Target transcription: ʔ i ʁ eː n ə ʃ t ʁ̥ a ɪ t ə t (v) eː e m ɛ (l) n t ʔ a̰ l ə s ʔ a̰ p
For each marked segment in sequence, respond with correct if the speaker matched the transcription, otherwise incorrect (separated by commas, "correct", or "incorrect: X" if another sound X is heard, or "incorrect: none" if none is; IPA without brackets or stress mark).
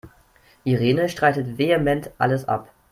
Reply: correct, incorrect: none